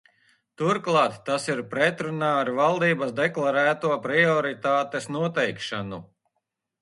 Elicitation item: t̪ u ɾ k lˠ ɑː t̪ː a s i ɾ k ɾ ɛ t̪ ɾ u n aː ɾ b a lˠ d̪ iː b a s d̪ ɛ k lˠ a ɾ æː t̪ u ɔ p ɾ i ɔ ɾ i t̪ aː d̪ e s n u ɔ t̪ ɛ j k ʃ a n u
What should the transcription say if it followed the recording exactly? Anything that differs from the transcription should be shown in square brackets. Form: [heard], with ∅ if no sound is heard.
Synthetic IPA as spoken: t̪ u ɾ k lˠ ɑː t̪ː a s i ɾ [p] ɾ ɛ t̪ ɾ u n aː ɾ [v] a lˠ d̪ iː b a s d̪ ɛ k lˠ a ɾ æː t̪ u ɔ p ɾ i ɔ ɾ i t̪ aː [t̪] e s n u ɔ t̪ ɛ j k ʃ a n u